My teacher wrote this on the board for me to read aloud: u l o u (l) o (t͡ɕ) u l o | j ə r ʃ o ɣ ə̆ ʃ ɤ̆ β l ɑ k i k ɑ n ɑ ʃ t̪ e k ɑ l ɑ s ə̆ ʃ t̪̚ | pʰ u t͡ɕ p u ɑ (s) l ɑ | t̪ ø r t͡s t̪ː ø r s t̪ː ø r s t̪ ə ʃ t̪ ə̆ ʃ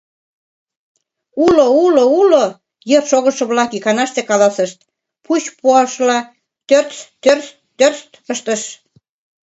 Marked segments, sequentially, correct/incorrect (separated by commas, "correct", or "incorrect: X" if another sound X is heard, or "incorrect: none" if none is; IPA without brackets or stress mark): correct, incorrect: none, incorrect: ʃ